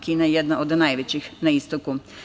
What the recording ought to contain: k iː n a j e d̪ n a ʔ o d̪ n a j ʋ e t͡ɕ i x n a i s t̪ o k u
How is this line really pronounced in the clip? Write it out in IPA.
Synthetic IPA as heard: k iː n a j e d̪ n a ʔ o d̪ n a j ʋ e t͡ɕ i x n a i s t̪ o k u